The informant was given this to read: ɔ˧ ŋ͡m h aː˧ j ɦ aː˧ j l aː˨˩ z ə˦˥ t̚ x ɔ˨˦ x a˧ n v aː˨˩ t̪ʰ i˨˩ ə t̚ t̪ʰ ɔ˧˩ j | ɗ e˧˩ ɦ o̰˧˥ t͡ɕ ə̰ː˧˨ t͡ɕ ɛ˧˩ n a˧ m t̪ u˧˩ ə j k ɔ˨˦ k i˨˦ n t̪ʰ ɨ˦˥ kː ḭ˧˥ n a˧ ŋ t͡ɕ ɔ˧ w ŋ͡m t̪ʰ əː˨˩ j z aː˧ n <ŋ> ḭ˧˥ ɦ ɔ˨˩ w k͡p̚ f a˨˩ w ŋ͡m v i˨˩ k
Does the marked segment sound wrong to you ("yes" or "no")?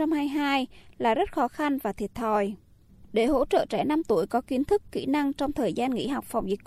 no